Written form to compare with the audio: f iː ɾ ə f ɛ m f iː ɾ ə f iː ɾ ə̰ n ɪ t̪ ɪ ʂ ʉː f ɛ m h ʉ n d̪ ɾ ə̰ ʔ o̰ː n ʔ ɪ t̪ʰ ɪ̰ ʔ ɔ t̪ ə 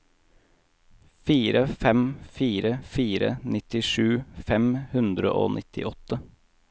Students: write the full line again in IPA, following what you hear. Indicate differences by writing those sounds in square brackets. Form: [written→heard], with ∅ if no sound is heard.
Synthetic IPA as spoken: f iː ɾ ə f ɛ m f iː ɾ ə f iː ɾ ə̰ n ɪ t̪ ɪ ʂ ʉː f ɛ m h ʉ n d̪ ɾ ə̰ ʔ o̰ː n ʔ ɪ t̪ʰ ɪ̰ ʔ ɔ t̪ ə